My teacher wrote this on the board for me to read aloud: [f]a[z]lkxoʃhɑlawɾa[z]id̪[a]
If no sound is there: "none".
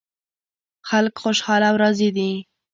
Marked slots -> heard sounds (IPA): x, none, z, i

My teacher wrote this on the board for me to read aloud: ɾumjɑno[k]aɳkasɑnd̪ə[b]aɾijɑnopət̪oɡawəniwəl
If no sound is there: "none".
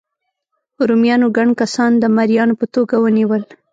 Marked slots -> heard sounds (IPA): ɡ, m

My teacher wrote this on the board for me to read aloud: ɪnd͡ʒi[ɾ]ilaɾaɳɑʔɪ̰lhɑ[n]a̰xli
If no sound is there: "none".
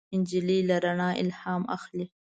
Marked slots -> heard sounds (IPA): l, m

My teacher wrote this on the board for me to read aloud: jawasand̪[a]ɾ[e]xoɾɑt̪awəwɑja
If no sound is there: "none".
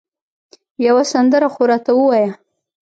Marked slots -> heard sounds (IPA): ə, a

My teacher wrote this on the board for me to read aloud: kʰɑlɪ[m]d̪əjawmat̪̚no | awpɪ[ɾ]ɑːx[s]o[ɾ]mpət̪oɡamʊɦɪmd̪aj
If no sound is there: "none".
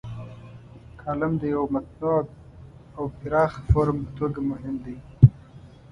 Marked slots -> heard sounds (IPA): m, ɾ, f, ɾ

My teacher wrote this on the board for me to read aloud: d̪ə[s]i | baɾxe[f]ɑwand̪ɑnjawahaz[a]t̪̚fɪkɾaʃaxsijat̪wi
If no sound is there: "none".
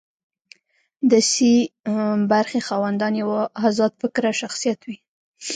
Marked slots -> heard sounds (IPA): s, x, ɑ

